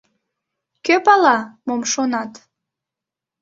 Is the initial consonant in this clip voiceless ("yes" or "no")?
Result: yes